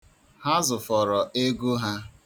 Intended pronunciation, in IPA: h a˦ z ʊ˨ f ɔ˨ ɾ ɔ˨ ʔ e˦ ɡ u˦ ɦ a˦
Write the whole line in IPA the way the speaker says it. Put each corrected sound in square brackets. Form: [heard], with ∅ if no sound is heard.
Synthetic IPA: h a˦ z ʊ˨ f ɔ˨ ɾ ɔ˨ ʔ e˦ ɡ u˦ ɦ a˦